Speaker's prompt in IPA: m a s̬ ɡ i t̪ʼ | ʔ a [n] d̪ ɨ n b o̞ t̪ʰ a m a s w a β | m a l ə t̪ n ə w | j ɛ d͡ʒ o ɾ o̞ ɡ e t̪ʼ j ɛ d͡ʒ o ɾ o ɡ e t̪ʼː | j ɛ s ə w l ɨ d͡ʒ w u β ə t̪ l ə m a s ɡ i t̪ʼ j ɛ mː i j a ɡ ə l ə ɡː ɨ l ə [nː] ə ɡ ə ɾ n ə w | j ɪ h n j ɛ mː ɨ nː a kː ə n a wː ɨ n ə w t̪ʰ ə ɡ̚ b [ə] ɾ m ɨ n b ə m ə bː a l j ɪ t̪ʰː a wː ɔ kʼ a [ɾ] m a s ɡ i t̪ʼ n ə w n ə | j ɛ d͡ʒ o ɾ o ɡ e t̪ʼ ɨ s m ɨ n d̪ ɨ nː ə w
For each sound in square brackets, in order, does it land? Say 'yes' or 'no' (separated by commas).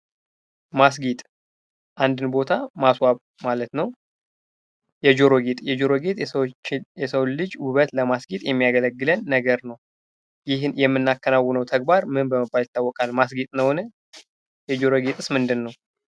yes, yes, no, no